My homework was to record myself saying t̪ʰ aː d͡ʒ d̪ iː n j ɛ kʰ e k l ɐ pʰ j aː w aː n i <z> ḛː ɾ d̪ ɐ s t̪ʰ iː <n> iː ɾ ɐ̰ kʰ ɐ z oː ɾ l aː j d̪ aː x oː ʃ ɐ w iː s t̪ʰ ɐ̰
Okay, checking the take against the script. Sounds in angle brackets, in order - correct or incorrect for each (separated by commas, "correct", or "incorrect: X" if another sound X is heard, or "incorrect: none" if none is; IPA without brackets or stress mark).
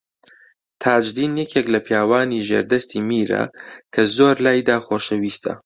incorrect: ʒ, incorrect: m